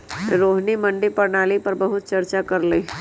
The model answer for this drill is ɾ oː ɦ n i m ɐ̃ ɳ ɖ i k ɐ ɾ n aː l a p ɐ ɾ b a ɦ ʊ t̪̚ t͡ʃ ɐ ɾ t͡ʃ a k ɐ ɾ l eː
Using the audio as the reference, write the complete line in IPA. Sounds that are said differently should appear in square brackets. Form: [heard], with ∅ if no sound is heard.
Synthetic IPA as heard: ɾ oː ɦ n i m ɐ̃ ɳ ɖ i [p] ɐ ɾ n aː l [i] p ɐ ɾ b [ɐ] ɦ ʊ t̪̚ t͡ʃ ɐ ɾ t͡ʃ a k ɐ ɾ l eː